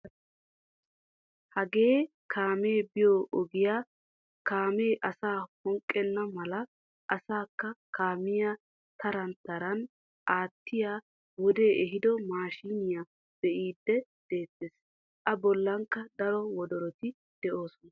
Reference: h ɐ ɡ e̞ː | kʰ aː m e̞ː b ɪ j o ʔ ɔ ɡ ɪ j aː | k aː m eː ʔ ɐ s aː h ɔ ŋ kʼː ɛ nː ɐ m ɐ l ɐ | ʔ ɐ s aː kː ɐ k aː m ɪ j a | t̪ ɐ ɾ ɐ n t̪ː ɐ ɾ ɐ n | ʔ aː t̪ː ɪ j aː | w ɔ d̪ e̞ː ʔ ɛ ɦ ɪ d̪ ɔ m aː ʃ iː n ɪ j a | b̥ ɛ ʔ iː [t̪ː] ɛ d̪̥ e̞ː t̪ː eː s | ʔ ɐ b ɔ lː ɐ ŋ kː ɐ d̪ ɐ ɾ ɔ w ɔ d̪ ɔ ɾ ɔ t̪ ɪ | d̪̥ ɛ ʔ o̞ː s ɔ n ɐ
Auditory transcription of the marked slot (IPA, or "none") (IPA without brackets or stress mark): d̪ː